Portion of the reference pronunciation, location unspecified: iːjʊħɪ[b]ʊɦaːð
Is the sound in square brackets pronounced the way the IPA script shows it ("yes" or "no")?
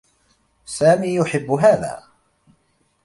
no